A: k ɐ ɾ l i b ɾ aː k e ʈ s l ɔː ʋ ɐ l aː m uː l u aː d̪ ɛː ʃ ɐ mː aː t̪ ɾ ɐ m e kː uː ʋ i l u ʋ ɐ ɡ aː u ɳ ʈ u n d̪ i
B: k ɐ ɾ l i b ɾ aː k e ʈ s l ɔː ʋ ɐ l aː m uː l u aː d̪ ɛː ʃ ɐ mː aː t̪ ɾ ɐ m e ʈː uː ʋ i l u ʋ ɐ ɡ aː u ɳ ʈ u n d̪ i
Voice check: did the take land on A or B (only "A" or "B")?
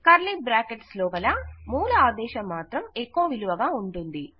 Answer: A